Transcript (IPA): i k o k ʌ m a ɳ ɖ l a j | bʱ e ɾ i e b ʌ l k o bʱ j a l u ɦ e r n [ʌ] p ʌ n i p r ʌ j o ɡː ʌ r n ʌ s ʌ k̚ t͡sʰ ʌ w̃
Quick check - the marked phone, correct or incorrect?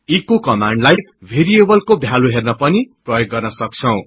correct